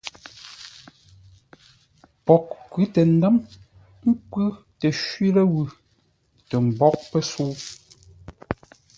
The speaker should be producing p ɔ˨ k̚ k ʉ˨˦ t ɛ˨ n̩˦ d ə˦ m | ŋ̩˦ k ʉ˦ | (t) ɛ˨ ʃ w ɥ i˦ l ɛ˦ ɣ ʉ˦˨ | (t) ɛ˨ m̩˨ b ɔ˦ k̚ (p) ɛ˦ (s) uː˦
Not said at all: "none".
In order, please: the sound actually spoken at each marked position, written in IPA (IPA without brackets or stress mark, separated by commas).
t, t, p, s